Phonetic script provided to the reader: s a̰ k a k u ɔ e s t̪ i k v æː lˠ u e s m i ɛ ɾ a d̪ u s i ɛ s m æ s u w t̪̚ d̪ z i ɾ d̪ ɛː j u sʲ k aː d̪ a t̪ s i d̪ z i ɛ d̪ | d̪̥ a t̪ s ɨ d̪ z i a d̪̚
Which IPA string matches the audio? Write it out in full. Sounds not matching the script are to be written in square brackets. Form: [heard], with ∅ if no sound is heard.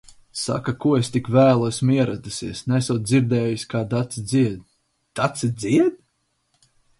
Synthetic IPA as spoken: s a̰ k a k u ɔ e s t̪ i k v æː lˠ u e s m i ɛ ɾ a d̪ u s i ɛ s [n] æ s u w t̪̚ d̪ z i ɾ d̪ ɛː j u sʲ k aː d̪ a t̪ s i d̪ z i ɛ d̪ | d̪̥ a t̪ s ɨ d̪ z i [ɛ] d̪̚